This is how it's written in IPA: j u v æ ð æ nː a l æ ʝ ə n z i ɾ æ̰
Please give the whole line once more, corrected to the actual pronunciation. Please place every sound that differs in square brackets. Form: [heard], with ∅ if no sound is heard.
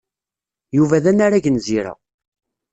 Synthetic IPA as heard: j u v æ ð æ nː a [ɾ] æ ʝ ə n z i ɾ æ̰